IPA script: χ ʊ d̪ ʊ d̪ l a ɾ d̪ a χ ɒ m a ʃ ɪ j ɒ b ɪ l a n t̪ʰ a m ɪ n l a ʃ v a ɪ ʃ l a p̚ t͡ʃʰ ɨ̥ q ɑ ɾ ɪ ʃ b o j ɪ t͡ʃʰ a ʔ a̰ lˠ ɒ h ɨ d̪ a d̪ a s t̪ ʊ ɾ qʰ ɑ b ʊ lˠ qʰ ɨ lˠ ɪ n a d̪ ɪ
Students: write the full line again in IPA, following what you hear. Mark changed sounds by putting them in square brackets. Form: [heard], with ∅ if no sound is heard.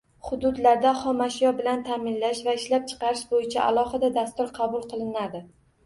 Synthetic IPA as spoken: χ ʊ d̪ ʊ d̪ l a ɾ d̪ a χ ɒ m a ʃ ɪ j ɒ b ɪ l a n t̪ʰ a m ɪ n l a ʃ v a ɪ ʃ l a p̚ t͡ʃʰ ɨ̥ q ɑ ɾ ɪ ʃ b o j ɪ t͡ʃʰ a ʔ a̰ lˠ ɒ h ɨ d̪ a d̪ a s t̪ ʊ ɾ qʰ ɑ b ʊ lˠ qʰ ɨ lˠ ɪ n a d̪ ɪ